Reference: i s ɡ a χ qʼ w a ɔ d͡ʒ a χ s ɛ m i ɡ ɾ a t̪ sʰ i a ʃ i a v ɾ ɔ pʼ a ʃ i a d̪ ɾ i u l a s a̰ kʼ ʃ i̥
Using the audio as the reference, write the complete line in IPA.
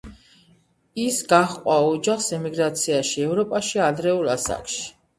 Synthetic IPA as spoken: i s ɡ a χ qʼ w a ɔ d͡ʒ a χ s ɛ m i ɡ ɾ a t̪ sʰ i a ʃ i ɛ v ɾ ɔ pʼ a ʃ i a d̪ ɾ ɛ u l a s a̰ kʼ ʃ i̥